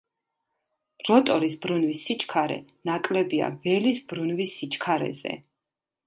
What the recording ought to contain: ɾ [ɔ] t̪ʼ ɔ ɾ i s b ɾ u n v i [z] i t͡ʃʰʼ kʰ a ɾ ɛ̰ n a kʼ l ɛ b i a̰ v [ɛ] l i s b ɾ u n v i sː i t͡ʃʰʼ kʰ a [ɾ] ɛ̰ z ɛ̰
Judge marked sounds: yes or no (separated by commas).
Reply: yes, no, yes, yes